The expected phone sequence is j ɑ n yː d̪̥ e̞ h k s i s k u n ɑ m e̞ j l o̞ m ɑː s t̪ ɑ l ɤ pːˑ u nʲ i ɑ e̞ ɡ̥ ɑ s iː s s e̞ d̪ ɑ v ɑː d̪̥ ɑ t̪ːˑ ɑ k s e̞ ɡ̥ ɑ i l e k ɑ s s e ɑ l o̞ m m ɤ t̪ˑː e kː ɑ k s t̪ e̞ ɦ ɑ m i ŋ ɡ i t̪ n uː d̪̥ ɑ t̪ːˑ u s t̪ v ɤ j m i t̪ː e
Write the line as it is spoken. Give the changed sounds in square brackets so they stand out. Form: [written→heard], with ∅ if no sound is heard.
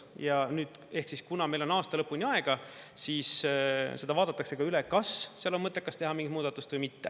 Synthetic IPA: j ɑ n yː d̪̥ e̞ h k s i s k u n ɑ m e̞ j l o̞ [m→n] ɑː s t̪ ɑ l ɤ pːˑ u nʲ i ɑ e̞ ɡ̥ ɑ s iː s s e̞ d̪ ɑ v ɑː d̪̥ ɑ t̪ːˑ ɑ k s e̞ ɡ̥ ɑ [i→y] l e k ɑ s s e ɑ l o̞ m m ɤ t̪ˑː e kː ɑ [k→∅] s t̪ e̞ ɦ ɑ m i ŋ ɡ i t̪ [n→m] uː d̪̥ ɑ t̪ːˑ u s t̪ v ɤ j m i t̪ː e